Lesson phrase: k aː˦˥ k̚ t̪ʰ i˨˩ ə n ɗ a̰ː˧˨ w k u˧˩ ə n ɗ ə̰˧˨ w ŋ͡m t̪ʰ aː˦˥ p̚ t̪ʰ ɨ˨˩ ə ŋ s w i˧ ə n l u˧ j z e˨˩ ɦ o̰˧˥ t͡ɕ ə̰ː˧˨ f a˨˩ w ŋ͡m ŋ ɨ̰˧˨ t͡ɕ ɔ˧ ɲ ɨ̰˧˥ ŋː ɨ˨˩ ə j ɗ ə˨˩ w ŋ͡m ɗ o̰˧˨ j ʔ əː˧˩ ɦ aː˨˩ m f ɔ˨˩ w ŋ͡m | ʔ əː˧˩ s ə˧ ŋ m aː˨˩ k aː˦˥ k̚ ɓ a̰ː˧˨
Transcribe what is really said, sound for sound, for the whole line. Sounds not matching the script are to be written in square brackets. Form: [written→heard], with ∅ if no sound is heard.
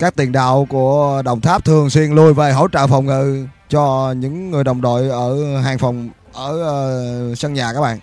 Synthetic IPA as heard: k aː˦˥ k̚ [t̪ʰ→t̪] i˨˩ ə n ɗ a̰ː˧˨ w k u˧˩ ə [n→∅] ɗ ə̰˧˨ w ŋ͡m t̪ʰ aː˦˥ p̚ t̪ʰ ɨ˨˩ ə ŋ s w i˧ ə n l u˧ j [z→v] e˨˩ ɦ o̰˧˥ t͡ɕ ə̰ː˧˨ f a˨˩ w ŋ͡m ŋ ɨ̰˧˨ t͡ɕ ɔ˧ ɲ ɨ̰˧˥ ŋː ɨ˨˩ ə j ɗ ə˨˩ w ŋ͡m ɗ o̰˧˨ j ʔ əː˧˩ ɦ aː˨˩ [m→ŋ] f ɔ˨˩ w ŋ͡m | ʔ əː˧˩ s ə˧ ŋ [m→ɲ] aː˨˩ k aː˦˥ k̚ ɓ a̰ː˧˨